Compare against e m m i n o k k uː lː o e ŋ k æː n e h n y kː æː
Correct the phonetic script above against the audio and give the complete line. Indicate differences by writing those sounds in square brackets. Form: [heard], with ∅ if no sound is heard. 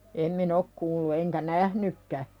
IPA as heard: e m m i n o k k uː lː [u] e ŋ k [æ] n [æ] h n y kː [æ]